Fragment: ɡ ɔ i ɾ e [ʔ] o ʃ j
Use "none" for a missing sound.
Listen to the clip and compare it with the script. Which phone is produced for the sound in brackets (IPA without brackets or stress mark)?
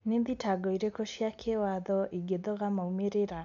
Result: k